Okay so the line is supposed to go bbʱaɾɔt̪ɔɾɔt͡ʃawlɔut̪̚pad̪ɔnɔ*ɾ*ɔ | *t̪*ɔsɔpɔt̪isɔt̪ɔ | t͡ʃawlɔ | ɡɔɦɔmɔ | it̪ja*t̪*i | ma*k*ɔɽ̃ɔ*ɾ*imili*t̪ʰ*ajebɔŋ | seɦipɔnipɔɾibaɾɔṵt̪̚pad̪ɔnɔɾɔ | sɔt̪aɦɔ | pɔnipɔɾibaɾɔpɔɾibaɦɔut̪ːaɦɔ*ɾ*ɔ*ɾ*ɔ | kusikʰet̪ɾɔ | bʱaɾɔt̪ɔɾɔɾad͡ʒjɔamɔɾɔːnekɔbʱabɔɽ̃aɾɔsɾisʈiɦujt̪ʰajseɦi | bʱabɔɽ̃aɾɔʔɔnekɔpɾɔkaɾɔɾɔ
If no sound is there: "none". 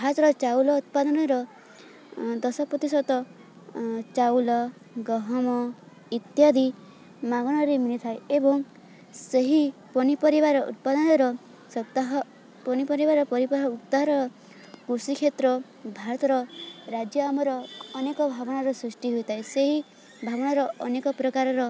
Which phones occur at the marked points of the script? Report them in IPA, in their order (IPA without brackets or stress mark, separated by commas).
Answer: ɾ, d̪, d̪, ɡ, ɾ, t̪ʰ, ɾ, ɾ